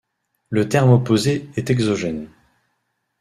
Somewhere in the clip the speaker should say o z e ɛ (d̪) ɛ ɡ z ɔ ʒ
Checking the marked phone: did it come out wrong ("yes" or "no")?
yes